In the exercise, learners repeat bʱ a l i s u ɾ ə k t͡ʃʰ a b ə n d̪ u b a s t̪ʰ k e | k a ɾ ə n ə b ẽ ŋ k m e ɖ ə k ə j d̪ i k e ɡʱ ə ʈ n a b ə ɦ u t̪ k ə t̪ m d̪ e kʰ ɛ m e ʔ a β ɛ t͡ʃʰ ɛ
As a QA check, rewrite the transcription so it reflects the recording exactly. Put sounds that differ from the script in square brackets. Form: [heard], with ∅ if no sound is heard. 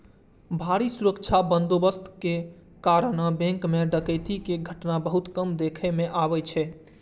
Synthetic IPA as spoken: bʱ a [ɾ] i s u ɾ ə k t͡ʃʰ a b ə n d̪ [o] b [ə] s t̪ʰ k e | k a ɾ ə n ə b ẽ ŋ k m e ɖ ə k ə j [t̪] i k e ɡʱ ə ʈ n a b ə ɦ u t̪ k ə [∅] m d̪ e kʰ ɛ m e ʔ a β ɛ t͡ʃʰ ɛ